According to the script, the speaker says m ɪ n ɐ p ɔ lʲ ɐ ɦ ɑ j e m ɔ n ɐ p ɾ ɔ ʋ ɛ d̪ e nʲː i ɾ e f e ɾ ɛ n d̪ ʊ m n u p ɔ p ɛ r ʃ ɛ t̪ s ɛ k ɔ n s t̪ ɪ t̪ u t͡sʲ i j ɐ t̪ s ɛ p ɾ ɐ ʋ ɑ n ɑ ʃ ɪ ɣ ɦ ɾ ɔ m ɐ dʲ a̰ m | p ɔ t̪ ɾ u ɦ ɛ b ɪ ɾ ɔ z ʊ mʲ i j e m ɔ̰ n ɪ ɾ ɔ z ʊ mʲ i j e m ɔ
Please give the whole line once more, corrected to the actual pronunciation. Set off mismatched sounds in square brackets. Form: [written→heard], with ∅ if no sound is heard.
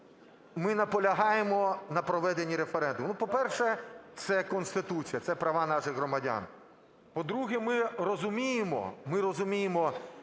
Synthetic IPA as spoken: m ɪ n ɐ p ɔ lʲ ɐ ɦ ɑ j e m ɔ n ɐ p ɾ ɔ ʋ ɛ d̪ e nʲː i ɾ e f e ɾ ɛ n d̪ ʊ m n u p ɔ p ɛ r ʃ ɛ t̪ s ɛ k ɔ n s t̪ ɪ t̪ u t͡sʲ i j ɐ t̪ s ɛ p ɾ ɐ ʋ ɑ n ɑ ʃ ɪ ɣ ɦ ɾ ɔ m ɐ dʲ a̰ [m→n] | p ɔ [t̪→d̪] ɾ u ɦ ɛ [b→m] ɪ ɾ ɔ z ʊ mʲ i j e m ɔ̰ [n→m] ɪ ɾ ɔ z ʊ mʲ i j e m ɔ